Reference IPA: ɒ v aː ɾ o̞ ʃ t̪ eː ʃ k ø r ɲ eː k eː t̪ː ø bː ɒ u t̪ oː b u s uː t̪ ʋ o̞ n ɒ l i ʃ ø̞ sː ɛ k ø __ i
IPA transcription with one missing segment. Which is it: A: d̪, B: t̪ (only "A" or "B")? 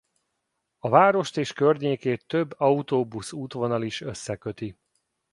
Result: B